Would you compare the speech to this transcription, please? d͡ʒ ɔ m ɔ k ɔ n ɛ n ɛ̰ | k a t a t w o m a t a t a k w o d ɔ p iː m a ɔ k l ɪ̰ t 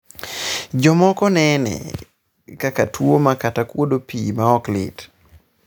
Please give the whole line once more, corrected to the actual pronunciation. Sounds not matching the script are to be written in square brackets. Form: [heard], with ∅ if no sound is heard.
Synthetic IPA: d͡ʒ ɔ m ɔ k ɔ n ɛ n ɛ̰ | k a [k] a t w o m a [k] a t a k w o d [o] p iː m a ɔ k l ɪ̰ t